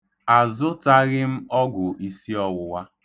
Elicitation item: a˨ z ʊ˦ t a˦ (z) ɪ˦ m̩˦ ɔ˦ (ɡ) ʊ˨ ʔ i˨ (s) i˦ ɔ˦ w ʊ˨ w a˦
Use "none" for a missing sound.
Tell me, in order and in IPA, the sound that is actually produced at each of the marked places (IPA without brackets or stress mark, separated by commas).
ɣ, ɡ, s